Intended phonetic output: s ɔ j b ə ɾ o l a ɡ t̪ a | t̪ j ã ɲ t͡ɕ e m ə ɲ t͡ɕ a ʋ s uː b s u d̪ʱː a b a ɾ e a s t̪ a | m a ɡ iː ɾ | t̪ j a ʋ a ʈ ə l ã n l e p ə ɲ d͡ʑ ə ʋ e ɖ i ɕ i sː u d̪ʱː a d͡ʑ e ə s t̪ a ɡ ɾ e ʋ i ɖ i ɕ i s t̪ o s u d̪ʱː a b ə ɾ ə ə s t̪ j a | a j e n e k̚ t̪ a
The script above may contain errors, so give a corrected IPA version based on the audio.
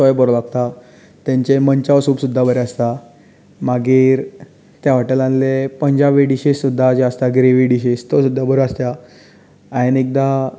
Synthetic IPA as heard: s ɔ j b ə ɾ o l a ɡ t̪ a | t̪ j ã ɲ t͡ɕ e m ə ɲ t͡ɕ a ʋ s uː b s u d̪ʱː a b ə ɾ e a s t̪ a | m a ɡ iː ɾ | t̪ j a ʋ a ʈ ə l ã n l e p ə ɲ d͡ʑ a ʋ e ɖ i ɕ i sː u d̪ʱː a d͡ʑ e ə s t̪ a ɡ ɾ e ʋ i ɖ i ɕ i s t̪ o s u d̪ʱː a b ə ɾ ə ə s t̪ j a | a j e n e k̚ d̪ a